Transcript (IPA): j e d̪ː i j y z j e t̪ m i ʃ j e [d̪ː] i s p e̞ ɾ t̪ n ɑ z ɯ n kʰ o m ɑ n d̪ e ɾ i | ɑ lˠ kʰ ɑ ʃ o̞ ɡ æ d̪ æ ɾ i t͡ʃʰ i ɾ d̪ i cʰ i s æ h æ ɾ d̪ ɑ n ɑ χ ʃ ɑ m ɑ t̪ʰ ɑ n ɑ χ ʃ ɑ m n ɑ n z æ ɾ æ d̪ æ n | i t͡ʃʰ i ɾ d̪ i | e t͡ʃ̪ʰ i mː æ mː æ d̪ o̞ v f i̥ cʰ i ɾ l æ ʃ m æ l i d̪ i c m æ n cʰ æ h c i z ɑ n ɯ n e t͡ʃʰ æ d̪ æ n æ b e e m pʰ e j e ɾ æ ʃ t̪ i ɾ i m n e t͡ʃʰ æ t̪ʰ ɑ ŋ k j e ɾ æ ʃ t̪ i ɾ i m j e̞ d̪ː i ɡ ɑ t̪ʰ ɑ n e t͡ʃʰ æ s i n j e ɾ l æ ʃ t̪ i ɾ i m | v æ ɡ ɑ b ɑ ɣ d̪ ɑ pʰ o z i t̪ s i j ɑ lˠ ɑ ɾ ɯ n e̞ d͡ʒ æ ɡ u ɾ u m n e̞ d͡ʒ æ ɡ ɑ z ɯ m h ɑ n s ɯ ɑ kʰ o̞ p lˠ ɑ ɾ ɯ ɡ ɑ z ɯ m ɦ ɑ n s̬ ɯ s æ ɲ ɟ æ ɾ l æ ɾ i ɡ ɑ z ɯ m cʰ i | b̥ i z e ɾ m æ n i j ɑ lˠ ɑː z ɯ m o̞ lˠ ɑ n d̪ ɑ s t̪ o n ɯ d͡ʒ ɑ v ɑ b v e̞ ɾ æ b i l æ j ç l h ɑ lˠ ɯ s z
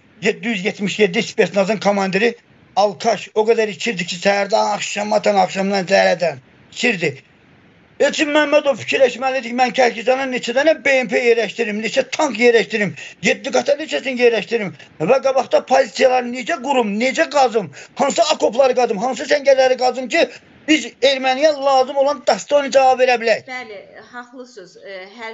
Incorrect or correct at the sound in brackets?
correct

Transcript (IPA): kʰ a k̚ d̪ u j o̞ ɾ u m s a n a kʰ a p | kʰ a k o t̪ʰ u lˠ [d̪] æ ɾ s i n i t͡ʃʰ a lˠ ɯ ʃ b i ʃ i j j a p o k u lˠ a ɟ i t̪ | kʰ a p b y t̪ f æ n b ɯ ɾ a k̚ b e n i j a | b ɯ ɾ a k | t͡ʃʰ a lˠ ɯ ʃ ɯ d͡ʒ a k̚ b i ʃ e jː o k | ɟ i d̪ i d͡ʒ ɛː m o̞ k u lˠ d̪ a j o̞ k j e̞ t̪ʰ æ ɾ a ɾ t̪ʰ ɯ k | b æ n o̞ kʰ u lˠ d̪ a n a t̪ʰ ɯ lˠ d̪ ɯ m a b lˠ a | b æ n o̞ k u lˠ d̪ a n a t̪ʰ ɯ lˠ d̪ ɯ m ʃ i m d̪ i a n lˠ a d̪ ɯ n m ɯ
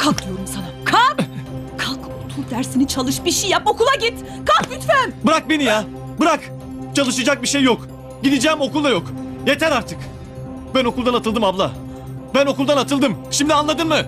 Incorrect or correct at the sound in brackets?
correct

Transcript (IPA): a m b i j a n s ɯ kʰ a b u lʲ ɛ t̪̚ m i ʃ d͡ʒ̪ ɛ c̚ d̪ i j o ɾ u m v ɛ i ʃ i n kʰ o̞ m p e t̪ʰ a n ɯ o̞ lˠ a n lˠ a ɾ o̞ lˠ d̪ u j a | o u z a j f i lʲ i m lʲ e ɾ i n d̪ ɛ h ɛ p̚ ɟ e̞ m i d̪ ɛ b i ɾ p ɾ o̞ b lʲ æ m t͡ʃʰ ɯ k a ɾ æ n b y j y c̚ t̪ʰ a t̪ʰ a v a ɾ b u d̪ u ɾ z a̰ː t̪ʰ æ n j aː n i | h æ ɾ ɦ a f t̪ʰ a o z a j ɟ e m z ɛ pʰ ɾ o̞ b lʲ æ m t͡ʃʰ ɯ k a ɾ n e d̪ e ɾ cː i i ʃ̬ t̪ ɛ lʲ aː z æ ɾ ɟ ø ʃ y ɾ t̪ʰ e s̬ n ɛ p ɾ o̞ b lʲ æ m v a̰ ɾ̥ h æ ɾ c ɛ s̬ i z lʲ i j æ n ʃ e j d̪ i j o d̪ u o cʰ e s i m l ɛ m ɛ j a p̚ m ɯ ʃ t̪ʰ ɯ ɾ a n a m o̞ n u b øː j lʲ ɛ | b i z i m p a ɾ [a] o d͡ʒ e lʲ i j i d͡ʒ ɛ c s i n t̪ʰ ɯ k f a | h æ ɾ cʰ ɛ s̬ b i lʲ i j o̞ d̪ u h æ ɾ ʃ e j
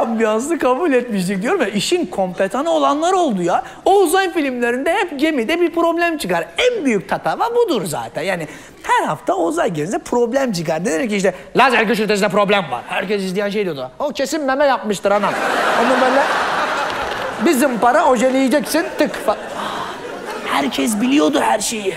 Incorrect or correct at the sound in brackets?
correct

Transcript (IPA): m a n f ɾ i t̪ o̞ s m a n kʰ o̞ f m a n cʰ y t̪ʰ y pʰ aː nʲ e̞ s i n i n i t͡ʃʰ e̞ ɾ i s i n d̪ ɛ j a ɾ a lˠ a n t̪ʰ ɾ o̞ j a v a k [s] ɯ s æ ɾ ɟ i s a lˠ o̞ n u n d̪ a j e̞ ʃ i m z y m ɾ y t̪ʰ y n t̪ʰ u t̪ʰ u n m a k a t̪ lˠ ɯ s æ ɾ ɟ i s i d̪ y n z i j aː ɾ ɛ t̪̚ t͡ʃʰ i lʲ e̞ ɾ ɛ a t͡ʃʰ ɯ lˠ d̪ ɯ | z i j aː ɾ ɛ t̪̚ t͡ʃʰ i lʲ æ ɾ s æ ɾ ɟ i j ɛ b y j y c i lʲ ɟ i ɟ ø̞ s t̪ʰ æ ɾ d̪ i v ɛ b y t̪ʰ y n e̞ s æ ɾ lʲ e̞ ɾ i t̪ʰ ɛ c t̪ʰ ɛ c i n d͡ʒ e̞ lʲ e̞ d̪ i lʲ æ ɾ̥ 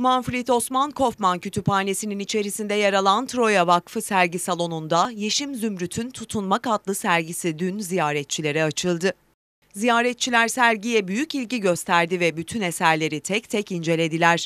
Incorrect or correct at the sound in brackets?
incorrect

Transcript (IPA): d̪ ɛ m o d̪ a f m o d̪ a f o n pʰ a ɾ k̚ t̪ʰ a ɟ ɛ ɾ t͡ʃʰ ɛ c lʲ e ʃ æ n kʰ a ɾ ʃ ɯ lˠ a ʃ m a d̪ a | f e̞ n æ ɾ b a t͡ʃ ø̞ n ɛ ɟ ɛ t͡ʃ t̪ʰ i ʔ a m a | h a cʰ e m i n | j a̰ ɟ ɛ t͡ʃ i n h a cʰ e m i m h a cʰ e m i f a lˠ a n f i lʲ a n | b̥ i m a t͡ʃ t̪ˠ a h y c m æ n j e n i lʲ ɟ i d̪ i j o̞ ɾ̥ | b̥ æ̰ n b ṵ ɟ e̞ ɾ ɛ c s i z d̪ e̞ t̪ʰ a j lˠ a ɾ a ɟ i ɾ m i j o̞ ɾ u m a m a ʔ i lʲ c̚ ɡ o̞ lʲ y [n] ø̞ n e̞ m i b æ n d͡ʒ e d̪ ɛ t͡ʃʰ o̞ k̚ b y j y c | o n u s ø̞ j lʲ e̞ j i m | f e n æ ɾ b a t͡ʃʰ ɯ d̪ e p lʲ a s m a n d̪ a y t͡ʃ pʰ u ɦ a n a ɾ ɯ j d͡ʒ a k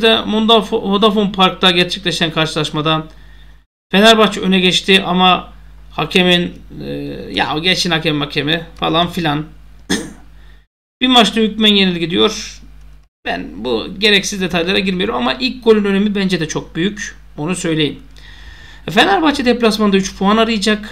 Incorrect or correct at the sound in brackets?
correct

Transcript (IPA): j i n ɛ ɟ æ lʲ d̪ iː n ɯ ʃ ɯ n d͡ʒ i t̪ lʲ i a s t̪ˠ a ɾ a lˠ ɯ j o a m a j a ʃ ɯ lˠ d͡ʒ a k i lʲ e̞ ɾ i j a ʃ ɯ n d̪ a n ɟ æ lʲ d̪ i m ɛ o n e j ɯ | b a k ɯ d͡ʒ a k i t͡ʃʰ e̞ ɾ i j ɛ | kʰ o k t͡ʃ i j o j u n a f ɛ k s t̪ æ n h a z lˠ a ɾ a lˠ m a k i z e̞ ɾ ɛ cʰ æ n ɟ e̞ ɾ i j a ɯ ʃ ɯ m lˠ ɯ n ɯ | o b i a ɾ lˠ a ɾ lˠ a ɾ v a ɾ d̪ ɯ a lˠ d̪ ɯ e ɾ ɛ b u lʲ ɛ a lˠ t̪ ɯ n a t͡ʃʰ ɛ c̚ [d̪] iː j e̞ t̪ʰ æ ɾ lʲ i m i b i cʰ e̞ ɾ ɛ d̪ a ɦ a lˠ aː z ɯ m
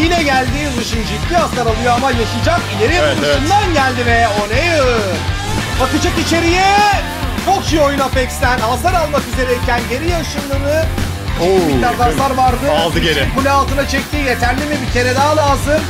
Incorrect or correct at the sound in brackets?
incorrect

